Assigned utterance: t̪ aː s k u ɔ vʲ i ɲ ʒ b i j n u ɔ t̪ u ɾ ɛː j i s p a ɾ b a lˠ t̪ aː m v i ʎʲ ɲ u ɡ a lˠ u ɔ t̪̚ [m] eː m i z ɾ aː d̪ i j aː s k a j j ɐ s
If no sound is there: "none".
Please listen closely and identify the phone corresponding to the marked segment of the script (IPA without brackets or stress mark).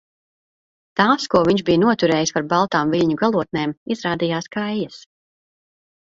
n